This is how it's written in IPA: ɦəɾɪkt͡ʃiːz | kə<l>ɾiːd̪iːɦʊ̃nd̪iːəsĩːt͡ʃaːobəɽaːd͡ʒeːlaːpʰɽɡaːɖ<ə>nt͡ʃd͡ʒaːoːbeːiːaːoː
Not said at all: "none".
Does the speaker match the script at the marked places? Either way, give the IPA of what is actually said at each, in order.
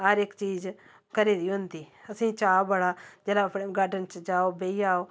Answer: none, ə

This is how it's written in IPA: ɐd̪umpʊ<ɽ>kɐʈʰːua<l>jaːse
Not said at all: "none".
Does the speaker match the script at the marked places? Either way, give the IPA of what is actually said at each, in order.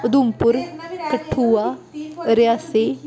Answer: ɾ, ɾ

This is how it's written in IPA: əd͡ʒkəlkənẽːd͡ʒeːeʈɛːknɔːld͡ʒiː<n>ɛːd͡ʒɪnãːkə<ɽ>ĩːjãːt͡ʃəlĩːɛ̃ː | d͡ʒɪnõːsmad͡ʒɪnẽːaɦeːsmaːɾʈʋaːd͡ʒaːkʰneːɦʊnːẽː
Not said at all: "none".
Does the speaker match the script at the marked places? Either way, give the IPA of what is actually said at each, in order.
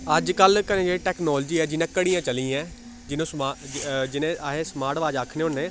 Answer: none, ɽ

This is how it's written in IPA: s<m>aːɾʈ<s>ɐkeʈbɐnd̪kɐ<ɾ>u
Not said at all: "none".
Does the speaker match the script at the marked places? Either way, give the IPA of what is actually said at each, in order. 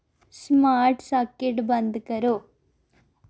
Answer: m, s, ɾ

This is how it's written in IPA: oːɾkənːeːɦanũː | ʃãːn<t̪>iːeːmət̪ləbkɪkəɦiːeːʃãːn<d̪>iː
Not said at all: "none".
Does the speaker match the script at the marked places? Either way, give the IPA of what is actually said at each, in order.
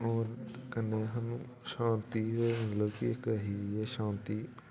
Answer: t̪, t̪

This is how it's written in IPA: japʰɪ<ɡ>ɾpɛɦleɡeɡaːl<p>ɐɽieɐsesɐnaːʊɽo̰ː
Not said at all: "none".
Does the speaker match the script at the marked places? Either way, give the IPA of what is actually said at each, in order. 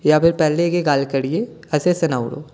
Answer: none, k

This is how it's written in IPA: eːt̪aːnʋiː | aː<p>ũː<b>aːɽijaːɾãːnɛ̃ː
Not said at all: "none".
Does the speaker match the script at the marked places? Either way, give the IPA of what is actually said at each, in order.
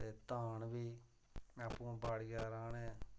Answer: p, b

